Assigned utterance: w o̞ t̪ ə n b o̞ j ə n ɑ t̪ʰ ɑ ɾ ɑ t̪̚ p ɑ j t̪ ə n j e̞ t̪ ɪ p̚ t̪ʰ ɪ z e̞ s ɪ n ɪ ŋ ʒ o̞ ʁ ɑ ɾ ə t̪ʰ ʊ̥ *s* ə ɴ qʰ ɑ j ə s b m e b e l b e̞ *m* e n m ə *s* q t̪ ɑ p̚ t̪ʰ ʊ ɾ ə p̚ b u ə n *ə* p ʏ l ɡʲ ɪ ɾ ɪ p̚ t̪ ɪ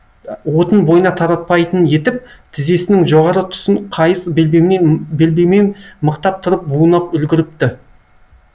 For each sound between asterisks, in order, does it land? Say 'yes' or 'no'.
yes, yes, no, no

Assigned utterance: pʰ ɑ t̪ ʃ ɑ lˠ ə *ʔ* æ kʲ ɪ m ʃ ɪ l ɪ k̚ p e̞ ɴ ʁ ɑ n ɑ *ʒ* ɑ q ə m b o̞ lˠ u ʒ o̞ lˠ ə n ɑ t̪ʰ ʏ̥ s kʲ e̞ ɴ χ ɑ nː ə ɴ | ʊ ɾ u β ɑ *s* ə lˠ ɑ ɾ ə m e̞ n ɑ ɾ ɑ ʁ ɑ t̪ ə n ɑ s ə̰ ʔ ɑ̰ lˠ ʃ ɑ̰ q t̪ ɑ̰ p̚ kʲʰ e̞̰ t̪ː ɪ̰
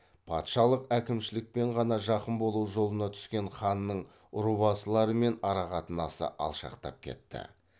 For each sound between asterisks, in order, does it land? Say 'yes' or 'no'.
no, yes, yes

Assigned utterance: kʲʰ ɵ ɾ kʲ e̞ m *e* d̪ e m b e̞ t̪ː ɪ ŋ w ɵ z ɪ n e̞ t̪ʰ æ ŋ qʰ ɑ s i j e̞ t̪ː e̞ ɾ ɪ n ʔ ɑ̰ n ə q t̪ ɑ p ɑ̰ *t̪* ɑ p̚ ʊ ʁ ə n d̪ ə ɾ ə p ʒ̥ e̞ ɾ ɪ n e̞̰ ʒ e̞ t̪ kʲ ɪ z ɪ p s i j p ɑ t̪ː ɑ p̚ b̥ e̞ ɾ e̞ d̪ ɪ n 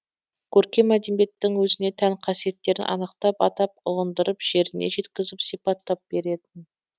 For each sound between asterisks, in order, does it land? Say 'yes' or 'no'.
no, yes

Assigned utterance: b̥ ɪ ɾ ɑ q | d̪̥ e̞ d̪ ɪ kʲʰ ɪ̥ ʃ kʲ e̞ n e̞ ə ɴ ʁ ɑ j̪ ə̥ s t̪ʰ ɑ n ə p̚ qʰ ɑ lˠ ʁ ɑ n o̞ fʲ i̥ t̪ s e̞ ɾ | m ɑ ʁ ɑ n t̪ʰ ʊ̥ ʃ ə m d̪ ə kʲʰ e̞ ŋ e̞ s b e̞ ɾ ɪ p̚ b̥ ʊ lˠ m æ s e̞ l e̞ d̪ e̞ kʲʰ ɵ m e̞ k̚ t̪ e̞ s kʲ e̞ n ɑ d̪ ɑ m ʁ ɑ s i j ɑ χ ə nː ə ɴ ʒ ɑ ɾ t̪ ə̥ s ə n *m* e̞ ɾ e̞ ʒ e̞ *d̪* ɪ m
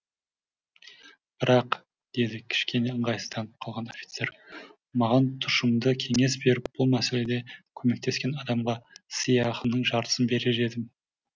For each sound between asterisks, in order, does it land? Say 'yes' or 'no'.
no, yes

